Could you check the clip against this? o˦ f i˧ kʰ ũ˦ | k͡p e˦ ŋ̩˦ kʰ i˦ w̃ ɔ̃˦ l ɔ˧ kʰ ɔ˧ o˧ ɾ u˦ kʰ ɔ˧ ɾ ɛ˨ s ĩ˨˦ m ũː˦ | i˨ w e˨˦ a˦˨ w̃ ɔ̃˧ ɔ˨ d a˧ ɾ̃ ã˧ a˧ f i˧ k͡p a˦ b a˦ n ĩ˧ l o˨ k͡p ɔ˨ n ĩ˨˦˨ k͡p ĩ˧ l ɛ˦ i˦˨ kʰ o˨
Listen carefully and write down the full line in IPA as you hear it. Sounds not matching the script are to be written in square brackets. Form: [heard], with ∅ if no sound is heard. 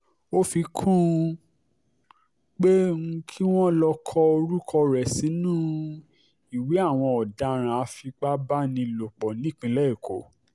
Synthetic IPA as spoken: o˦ f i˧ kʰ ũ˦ | k͡p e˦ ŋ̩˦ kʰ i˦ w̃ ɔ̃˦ l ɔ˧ kʰ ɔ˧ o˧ ɾ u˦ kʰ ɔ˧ ɾ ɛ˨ s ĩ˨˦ [n] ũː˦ | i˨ w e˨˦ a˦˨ w̃ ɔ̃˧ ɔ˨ d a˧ ɾ̃ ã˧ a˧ f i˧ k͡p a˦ b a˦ n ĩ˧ l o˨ k͡p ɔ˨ n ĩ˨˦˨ k͡p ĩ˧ l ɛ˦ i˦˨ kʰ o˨